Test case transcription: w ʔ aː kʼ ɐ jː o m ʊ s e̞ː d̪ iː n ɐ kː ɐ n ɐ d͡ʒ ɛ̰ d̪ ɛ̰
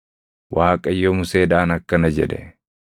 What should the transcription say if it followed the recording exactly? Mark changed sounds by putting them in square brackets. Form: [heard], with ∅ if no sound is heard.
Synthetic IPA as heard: w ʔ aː kʼ ɐ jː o m ʊ s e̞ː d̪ [aː] n ɐ kː ɐ n ɐ d͡ʒ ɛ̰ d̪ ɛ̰